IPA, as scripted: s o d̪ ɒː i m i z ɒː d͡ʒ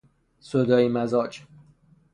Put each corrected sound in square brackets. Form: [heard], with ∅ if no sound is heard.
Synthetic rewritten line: s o d̪ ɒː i m [æ] z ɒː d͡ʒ